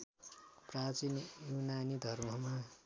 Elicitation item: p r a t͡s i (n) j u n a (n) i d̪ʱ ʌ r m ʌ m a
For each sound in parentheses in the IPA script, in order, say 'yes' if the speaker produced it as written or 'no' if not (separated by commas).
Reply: yes, yes